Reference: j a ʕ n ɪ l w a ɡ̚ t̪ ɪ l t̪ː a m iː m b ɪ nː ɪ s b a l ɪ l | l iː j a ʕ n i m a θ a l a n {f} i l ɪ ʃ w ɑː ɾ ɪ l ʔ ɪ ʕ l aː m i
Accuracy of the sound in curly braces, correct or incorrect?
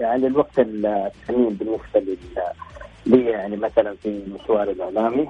correct